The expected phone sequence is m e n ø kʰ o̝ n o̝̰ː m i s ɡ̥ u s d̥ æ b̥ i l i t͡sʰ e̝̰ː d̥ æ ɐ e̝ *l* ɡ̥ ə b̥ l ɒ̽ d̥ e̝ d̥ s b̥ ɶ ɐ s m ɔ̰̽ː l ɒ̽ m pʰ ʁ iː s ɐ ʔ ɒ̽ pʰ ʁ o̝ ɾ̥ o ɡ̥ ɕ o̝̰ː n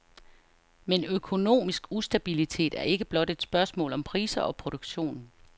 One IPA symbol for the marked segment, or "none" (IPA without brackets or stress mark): none